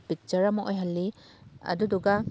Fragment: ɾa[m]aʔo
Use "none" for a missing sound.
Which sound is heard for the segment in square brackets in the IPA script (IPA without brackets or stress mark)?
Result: m